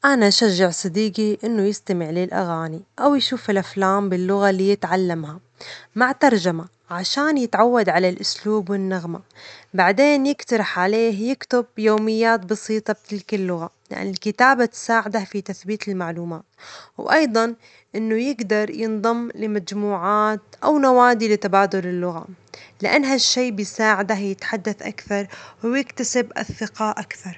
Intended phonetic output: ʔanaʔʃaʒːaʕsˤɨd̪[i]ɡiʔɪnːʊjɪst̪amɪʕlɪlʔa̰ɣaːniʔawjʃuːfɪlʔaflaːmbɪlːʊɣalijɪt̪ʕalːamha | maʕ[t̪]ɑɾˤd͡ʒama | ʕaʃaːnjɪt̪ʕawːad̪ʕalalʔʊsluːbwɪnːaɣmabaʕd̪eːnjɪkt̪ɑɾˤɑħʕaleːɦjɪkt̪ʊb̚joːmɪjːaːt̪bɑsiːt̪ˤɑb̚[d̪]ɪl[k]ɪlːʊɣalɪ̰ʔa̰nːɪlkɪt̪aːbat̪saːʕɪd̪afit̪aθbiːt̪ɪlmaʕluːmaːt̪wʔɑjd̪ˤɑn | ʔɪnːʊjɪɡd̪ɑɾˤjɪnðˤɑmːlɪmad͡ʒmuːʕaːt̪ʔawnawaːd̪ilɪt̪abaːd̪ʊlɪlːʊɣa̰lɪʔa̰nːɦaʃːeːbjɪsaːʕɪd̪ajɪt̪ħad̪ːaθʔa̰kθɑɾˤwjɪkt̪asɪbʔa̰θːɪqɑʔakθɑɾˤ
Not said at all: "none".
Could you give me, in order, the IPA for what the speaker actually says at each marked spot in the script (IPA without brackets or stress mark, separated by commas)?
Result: iː, t̪, t̪, k